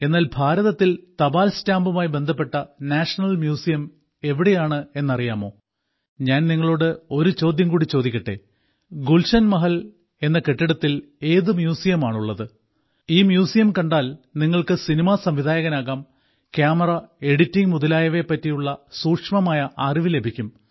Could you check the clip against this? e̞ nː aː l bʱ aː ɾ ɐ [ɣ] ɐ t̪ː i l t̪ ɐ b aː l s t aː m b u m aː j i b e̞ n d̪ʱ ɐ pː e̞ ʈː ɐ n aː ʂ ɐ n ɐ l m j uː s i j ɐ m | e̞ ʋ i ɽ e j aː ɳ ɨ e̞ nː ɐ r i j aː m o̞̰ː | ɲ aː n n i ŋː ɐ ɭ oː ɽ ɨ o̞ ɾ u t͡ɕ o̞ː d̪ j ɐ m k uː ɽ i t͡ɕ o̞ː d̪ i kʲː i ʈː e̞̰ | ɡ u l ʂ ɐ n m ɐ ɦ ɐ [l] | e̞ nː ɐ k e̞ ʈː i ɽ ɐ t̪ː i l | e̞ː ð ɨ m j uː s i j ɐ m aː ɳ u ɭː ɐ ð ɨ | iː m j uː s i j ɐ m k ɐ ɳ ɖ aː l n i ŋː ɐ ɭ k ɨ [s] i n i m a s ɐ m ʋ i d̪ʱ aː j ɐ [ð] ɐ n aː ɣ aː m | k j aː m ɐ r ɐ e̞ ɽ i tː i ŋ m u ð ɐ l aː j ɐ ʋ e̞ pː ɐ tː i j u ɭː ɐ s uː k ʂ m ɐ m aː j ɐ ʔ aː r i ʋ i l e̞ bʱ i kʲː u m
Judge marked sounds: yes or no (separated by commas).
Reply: no, yes, yes, no